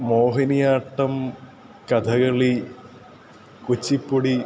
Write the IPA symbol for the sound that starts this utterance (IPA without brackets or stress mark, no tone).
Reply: m